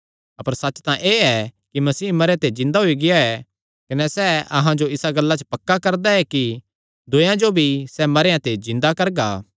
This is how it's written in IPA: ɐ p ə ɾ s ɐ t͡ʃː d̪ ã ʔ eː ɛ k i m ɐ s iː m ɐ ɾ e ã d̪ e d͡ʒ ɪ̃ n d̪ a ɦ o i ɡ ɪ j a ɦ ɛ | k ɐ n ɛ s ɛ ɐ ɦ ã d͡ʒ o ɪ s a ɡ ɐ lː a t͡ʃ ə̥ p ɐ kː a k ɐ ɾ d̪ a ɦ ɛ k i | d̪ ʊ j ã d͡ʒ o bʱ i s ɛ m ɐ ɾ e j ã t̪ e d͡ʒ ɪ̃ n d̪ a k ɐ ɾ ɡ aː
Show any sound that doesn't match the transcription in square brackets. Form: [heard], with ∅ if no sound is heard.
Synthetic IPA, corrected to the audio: ɐ p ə ɾ s ɐ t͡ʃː [t̪] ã ʔ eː ɛ k i m ɐ s iː m ɐ ɾ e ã [t̪] e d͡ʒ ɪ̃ n d̪ a ɦ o i ɡ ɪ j a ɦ ɛ | k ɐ n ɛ s ɛ ɐ ɦ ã d͡ʒ o ɪ s a ɡ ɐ lː a t͡ʃ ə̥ p ɐ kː a k ɐ ɾ d̪ a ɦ ɛ k i | d̪ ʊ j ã d͡ʒ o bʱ i s ɛ m ɐ ɾ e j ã t̪ e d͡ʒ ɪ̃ n d̪ a k ɐ ɾ ɡ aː